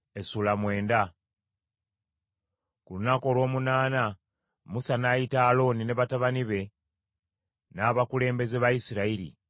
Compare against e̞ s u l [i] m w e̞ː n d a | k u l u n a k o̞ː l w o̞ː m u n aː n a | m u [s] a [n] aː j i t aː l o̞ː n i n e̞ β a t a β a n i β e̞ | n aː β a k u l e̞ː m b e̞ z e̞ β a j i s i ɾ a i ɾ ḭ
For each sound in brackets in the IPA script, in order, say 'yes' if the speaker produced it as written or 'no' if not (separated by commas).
no, yes, yes